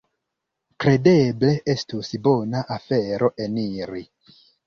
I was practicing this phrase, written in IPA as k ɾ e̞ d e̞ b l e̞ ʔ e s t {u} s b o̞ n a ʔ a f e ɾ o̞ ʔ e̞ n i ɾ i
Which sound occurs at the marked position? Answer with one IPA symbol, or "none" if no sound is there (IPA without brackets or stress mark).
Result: u